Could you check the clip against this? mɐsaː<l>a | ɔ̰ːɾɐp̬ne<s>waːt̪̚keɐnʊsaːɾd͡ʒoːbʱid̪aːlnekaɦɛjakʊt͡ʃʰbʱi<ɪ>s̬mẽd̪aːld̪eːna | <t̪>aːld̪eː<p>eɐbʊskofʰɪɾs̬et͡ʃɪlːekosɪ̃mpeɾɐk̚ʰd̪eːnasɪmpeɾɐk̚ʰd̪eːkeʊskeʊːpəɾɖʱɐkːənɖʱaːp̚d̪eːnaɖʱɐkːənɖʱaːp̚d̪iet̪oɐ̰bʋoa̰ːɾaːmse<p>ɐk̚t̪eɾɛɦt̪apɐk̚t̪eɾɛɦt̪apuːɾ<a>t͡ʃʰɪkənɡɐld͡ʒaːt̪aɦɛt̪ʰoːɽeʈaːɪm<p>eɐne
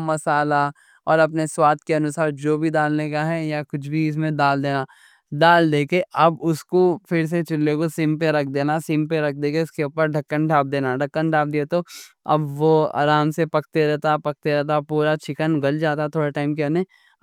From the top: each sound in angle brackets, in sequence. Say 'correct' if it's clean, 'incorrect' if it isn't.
correct, correct, correct, incorrect, incorrect, correct, correct, incorrect

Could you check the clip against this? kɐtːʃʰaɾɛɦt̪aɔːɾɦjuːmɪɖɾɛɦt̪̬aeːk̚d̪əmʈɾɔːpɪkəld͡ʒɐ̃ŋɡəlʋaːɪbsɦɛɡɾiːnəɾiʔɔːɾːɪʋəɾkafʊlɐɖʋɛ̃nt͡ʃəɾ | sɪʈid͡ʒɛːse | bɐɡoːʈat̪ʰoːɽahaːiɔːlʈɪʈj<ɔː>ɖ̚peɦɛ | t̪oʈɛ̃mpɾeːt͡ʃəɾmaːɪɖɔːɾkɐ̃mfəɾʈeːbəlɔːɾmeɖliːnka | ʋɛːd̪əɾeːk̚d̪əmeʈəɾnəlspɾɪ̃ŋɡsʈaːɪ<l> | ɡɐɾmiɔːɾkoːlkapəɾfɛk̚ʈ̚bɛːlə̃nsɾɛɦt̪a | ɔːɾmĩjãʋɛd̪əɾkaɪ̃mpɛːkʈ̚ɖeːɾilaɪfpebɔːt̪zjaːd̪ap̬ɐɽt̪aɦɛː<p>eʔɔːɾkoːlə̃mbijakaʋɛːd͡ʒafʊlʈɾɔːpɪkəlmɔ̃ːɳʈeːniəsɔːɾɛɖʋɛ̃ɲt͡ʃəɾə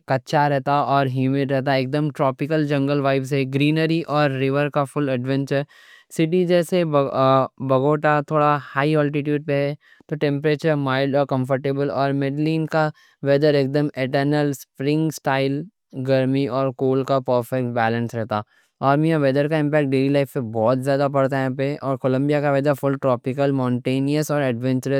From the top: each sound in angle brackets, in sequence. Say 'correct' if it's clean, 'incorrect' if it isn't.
incorrect, correct, correct

